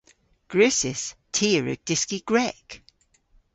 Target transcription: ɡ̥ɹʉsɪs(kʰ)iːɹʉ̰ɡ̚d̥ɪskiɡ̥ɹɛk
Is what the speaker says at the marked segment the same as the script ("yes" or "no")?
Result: no